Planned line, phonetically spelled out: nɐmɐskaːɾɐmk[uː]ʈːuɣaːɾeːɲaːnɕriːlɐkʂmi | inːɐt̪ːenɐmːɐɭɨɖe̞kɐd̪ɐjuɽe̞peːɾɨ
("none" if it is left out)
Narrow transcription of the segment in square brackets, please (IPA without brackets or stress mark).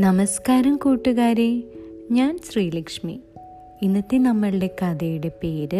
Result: uː